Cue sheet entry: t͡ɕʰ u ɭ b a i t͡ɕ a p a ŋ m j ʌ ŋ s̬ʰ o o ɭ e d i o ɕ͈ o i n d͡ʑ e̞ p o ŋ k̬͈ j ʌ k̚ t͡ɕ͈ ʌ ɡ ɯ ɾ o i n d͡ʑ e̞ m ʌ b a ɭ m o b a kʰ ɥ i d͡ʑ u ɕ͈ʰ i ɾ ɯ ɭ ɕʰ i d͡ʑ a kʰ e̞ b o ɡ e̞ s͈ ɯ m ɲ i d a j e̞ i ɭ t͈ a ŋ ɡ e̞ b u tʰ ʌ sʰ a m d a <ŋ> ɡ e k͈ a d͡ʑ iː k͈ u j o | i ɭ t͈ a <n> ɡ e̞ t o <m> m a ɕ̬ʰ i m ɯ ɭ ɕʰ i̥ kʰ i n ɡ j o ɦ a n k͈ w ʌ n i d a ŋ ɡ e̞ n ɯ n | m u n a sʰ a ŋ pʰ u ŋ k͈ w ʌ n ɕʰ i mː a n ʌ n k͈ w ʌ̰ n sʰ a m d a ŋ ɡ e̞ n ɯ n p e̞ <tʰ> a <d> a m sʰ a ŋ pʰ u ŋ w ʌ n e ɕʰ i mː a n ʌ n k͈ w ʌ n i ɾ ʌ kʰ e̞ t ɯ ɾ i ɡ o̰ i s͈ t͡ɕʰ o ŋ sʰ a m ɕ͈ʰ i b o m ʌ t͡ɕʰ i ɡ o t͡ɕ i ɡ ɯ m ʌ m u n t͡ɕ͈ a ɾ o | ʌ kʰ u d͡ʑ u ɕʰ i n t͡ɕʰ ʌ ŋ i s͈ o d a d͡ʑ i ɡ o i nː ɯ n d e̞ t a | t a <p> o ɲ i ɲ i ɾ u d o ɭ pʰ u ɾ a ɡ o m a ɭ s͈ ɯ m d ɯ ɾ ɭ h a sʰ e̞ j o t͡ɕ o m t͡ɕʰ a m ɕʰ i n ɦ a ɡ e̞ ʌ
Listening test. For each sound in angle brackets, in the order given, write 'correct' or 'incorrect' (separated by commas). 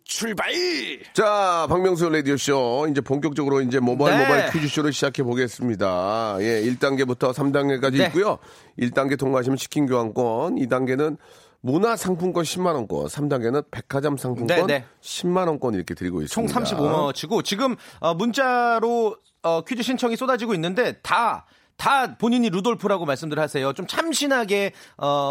correct, incorrect, incorrect, incorrect, incorrect, correct